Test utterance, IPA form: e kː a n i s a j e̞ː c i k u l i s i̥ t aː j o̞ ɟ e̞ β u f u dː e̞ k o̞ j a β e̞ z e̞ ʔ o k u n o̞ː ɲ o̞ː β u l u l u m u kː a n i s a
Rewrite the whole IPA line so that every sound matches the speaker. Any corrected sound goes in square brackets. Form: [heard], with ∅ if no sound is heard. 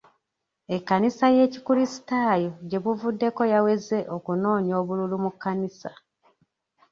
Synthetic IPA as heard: e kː a n i s a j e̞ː c i k u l i s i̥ t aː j o̞ ɟ e̞ β u [v] u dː e̞ k o̞ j a [w] e̞ z e̞ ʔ o k u n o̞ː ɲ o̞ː β u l u l u m u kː a n i s a